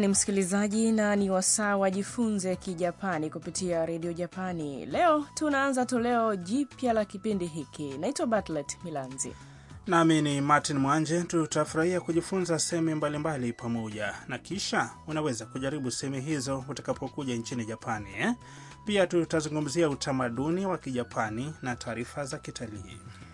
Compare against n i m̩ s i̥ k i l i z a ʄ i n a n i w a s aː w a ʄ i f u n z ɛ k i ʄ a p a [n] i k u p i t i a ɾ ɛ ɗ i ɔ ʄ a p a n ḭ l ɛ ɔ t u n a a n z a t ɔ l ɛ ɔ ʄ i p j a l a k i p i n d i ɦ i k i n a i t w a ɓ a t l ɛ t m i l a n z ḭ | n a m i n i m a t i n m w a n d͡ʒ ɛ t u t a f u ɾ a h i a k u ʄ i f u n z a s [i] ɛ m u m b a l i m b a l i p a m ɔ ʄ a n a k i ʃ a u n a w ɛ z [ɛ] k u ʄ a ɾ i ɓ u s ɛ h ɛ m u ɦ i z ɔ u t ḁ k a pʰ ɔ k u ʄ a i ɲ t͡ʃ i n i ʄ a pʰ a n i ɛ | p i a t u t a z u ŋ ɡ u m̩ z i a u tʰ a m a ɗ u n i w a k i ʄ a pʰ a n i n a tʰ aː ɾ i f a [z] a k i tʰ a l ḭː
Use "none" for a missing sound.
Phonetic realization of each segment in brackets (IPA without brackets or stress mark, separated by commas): n, ɛ, a, z